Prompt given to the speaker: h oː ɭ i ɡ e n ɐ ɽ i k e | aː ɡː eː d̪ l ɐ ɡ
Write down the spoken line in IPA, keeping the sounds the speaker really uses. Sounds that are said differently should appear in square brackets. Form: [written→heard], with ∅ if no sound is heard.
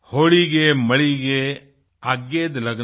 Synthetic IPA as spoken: h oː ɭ i ɡ e [n→m] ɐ [ɽ→ɭ] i [k→ɡ] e | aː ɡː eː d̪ l ɐ ɡ